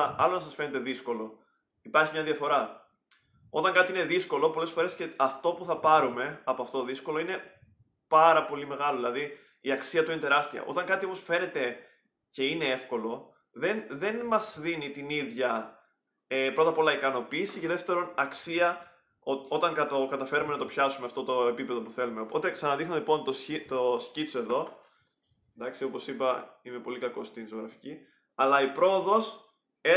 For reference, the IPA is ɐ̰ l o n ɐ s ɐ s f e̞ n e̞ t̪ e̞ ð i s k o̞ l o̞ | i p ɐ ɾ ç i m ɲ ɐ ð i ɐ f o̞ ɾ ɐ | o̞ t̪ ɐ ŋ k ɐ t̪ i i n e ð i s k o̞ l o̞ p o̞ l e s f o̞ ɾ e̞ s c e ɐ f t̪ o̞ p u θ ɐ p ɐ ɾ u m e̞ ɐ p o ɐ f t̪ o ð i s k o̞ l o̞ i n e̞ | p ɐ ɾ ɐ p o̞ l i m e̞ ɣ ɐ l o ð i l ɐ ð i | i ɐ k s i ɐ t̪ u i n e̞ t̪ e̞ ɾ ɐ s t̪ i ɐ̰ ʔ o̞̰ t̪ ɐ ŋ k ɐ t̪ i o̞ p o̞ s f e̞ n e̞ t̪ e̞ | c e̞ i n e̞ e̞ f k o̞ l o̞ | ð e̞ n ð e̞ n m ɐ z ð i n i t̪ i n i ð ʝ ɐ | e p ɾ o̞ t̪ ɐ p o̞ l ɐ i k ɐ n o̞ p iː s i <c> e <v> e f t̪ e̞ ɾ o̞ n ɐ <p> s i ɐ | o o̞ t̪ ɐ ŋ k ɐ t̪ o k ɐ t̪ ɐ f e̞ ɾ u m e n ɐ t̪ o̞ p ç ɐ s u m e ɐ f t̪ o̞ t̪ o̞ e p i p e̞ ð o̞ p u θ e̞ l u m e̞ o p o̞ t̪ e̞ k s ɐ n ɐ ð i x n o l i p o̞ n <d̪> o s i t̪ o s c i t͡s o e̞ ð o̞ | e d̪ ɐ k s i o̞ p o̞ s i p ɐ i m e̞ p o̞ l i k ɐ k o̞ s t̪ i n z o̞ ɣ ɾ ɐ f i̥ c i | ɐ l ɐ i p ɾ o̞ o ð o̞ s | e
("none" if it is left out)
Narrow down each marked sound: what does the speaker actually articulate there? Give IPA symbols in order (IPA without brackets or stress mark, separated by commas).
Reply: c, ð, k, t̪